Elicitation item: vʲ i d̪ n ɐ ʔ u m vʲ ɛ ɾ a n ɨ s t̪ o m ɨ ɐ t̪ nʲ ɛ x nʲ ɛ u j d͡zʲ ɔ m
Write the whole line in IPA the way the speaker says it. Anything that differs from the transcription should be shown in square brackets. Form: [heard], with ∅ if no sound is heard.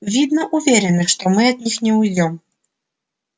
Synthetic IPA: vʲ i d̪ n ɐ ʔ u [∅] vʲ ɛ ɾ [ɛ] n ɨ [ʂ] t̪ [ɔ] m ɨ ɐ [d̪] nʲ [i] x nʲ ɛ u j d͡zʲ ɔ m